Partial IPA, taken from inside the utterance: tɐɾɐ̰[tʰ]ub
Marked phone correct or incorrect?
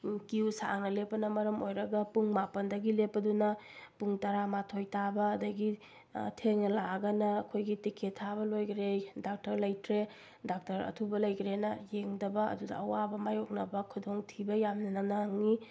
correct